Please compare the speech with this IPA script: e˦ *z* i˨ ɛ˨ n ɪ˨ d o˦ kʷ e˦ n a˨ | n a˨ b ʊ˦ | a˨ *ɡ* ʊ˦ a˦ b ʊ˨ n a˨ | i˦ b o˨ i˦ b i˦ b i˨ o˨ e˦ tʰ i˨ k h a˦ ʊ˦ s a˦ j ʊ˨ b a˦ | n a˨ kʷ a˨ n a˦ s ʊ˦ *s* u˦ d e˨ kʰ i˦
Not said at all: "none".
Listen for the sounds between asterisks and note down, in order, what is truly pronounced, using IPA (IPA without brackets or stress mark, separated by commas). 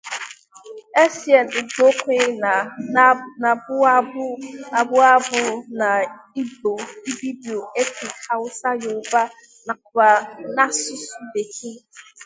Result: s, b, s